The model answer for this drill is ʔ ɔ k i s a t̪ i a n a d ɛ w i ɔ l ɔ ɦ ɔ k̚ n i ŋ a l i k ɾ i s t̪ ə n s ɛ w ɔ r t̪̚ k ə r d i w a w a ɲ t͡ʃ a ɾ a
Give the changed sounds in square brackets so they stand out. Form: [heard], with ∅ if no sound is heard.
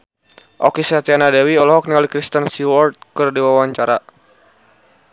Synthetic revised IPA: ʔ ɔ k i s a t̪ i a n a d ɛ w i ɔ l ɔ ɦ ɔ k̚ n i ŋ a l i k ɾ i s t̪ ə n s [i] w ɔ r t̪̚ k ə r d i w a w a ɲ t͡ʃ a ɾ a